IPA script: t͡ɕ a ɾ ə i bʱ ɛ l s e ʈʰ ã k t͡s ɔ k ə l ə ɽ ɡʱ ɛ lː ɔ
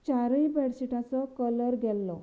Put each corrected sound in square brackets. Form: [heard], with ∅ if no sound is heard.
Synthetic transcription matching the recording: t͡ɕ a ɾ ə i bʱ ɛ [ɽ] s [i] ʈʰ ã [∅] t͡s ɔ k ə l ə [ɾ] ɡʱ ɛ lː ɔ